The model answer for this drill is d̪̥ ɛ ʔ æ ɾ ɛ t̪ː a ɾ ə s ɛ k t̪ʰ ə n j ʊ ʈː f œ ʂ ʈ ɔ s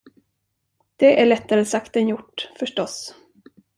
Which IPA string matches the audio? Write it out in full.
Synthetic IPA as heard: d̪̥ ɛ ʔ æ ɭ ɛ t̪ː a ɾ ə s a k t̪ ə n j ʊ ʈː f œ ʂ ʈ ɔ s